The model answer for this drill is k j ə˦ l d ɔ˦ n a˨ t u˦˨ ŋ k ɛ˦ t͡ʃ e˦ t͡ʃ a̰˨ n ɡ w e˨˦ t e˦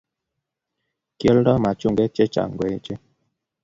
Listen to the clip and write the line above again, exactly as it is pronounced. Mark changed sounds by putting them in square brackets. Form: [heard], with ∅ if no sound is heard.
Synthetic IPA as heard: k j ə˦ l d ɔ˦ [m] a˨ [t͡ʃ] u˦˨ ŋ [ɡ] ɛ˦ t͡ʃ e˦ t͡ʃ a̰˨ [ŋ] ɡ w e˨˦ [t͡ʃ] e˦